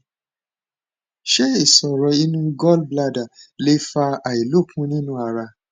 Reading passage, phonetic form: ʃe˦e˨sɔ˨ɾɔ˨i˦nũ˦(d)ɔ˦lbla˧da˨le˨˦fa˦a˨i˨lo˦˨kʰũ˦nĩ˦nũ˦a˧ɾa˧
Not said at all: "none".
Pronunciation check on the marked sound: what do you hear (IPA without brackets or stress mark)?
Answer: ɡ